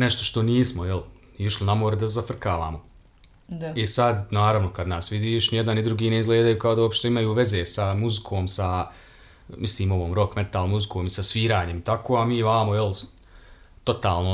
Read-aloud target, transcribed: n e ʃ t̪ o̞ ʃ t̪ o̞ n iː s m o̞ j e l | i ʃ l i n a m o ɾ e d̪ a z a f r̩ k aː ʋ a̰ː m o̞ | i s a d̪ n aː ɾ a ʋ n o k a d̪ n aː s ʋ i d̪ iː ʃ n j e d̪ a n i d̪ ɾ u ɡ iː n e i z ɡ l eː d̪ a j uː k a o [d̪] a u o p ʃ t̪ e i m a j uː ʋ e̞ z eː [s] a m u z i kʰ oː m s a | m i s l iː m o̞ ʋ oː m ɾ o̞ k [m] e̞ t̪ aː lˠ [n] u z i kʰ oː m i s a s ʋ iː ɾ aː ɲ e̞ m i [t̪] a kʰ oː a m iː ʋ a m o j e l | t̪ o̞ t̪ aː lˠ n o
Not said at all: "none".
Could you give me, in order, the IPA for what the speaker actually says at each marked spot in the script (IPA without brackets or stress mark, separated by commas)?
d̪, s, m, m, t̪